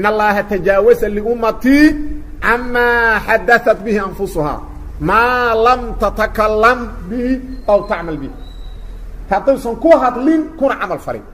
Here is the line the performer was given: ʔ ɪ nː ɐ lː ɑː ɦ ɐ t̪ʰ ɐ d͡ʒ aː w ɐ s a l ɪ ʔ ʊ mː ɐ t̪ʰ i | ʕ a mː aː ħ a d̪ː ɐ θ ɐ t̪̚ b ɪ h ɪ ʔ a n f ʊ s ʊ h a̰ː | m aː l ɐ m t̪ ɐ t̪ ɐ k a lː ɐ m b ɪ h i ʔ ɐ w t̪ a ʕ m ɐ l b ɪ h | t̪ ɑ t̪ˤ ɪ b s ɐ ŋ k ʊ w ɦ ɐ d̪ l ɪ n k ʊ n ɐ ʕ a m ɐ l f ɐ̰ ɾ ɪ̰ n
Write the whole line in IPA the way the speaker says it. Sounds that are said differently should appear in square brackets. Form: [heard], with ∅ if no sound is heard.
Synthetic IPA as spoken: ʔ ɪ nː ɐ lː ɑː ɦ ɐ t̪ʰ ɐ d͡ʒ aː w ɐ s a l ɪ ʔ ʊ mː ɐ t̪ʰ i | ʕ a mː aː ħ a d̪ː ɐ θ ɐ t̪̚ b ɪ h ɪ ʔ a n f ʊ s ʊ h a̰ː | m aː l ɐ m t̪ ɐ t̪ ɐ k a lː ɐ m b ɪ h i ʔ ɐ w t̪ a ʕ m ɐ l b ɪ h | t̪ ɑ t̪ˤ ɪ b s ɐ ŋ k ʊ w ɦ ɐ d̪ l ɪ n k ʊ n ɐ ʕ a m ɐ l f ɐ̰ ɾ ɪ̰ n